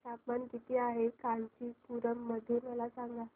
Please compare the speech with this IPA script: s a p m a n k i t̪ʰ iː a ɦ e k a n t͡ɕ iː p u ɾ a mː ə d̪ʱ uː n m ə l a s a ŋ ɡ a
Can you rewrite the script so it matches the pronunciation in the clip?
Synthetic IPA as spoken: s a p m a n k i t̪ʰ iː a ɦ e k a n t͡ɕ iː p u ɾ ə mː ə d̪ʱ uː n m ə l a s a ŋ ɡ a